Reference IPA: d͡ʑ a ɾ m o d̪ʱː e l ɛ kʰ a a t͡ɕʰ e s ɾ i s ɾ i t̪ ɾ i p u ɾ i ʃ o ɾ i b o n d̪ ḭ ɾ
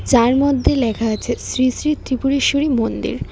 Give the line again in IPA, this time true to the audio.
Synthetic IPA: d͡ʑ a ɾ m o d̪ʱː e l ɛ kʰ a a t͡ɕʰ e s ɾ i s ɾ i t̪ ɾ i p u ɾ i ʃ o ɾ i m o n d̪ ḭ ɾ